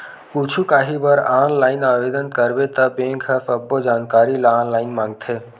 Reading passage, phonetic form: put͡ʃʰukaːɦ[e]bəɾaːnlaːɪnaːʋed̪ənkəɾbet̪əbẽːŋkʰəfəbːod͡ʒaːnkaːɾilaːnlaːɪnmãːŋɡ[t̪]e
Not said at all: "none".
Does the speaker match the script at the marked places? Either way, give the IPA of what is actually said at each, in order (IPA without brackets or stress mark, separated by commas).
i, t̪ʰ